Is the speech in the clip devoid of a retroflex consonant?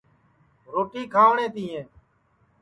no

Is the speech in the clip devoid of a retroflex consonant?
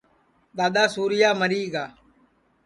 yes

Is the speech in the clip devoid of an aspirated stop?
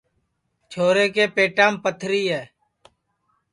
no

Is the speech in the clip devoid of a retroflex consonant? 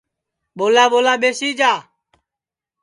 yes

